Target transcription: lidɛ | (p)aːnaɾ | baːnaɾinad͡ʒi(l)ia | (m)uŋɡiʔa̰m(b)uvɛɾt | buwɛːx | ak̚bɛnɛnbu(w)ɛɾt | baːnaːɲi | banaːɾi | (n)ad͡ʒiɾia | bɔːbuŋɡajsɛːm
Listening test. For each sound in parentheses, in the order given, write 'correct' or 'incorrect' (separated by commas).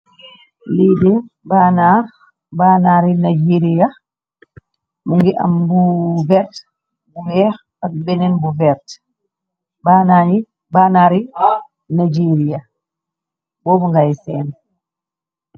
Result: incorrect, incorrect, correct, correct, incorrect, correct